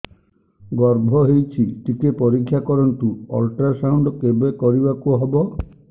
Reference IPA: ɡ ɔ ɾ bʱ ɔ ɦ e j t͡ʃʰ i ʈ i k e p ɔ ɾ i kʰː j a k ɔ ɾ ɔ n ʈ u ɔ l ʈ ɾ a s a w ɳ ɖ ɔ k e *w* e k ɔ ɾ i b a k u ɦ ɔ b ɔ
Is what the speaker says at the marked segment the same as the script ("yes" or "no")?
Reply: no